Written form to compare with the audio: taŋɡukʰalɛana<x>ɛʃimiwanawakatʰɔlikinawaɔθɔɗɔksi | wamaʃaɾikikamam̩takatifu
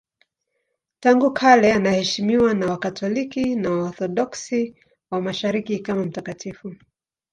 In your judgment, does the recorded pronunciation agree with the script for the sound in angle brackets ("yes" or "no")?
no